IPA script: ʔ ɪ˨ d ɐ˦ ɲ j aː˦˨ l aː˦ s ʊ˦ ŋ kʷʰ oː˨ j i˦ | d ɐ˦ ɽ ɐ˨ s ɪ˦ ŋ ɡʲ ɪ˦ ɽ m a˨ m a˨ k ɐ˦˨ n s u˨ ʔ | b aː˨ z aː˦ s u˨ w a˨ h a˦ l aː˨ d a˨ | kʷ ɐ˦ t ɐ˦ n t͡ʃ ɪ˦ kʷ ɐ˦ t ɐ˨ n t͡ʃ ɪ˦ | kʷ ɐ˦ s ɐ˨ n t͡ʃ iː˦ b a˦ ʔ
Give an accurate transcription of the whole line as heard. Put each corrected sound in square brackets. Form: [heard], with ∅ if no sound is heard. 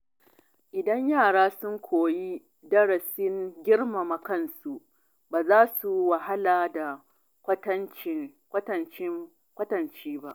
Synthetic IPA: ʔ ɪ˨ d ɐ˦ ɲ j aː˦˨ [ɽ] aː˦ s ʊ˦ ŋ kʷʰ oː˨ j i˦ | d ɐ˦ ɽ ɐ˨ s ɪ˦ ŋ ɡʲ ɪ˦ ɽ m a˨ m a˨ k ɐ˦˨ n s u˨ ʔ | b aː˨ z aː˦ s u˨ w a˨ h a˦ l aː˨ d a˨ | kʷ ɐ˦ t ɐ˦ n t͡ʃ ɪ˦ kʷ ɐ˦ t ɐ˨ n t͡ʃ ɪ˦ | kʷ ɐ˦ [t] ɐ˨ n t͡ʃ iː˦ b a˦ ʔ